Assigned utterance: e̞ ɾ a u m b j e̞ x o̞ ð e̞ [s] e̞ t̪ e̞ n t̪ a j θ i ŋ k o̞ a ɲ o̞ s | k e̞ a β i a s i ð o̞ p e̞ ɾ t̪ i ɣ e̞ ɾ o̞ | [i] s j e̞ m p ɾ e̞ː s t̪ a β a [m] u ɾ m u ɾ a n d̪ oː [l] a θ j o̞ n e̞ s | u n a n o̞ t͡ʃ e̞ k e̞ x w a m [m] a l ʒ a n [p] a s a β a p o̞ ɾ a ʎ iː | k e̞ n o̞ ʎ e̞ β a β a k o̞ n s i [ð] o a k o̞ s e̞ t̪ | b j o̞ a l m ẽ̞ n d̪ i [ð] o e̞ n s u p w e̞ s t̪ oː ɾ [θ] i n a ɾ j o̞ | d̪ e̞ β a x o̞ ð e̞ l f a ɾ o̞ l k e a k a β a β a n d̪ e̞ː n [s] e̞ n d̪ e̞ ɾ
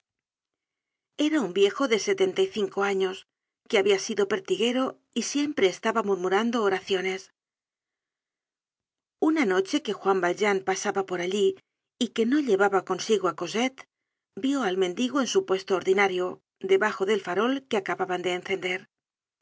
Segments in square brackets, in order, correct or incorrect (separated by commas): correct, correct, correct, incorrect, incorrect, correct, incorrect, incorrect, incorrect, incorrect